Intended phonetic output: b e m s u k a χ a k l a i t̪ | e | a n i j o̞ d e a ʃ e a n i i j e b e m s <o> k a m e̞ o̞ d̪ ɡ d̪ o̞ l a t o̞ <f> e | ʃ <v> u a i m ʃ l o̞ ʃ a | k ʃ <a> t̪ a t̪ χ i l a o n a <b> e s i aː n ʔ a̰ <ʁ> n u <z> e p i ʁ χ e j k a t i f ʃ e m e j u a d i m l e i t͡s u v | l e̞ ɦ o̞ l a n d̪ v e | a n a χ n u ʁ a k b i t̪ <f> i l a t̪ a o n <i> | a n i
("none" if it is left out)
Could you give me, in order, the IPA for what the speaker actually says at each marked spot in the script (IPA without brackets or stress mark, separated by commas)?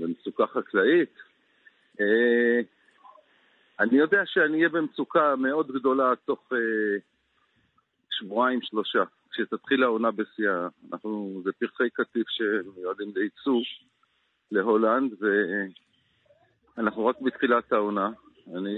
u, χ, v, e, b, χ, z, χ, a